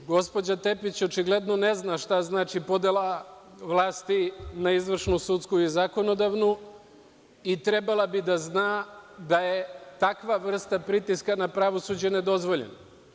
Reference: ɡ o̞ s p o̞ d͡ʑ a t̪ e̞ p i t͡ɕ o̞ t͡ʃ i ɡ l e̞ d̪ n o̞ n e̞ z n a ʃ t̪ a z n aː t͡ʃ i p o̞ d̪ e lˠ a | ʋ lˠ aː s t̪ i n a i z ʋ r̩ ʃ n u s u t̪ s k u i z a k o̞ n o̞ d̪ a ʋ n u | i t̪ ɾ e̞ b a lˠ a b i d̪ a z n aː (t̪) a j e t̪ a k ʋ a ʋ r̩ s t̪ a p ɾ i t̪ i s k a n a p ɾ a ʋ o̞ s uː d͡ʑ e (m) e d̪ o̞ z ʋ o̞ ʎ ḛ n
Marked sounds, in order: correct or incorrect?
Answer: incorrect: d̪, incorrect: n

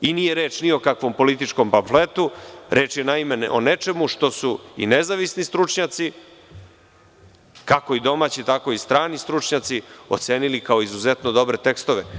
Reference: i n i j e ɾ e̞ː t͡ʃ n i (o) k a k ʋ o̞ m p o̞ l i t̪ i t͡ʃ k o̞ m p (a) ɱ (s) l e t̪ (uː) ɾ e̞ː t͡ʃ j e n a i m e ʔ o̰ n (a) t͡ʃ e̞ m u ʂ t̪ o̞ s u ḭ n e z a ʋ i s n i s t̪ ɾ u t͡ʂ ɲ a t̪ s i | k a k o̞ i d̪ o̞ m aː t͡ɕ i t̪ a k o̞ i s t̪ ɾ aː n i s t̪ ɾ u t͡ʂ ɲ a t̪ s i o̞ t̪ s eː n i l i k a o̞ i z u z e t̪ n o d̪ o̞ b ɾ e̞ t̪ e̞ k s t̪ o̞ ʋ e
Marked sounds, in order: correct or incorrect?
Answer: correct, correct, incorrect: f, incorrect: u, incorrect: e

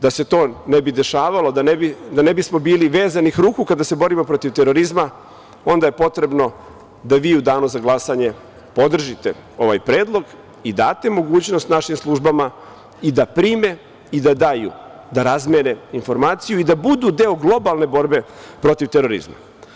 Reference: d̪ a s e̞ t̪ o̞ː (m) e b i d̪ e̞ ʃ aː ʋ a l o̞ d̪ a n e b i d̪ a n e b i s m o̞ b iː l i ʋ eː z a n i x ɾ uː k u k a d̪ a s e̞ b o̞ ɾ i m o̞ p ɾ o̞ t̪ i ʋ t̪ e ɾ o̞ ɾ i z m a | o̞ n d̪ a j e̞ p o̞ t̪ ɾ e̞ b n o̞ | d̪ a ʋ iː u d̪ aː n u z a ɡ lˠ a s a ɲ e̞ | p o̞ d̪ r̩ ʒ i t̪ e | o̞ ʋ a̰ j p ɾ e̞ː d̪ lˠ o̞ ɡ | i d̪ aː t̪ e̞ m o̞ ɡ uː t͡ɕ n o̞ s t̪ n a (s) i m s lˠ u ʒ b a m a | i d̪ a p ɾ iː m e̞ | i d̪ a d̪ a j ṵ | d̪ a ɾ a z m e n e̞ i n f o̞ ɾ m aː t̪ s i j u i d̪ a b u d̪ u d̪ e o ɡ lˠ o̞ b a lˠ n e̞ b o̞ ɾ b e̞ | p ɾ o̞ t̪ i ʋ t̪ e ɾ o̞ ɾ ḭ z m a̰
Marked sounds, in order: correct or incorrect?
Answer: incorrect: n, incorrect: ʃ

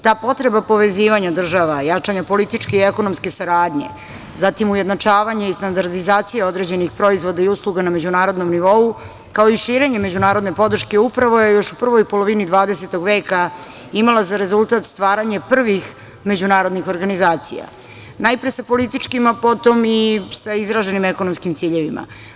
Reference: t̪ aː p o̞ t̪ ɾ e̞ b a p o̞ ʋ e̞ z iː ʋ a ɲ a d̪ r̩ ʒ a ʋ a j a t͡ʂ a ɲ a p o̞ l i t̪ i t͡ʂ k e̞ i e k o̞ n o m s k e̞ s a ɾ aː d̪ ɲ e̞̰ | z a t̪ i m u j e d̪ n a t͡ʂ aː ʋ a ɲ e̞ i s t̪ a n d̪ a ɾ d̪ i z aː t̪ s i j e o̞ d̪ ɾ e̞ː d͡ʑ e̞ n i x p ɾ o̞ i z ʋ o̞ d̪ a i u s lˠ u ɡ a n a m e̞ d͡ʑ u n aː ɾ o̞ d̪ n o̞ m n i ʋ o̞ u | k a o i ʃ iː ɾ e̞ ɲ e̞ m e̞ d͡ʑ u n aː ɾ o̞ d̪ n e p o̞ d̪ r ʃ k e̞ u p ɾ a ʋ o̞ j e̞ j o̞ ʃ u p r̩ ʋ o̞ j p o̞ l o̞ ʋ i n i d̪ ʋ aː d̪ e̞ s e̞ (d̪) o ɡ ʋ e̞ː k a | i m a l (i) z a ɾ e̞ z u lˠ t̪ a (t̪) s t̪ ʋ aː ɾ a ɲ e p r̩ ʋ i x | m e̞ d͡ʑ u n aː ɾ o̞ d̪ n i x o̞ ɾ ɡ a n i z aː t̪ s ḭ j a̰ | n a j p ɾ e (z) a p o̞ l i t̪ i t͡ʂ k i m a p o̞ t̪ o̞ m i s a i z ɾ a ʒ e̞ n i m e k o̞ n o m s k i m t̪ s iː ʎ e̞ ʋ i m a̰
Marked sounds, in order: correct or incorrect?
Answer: incorrect: t̪, incorrect: a, correct, incorrect: s

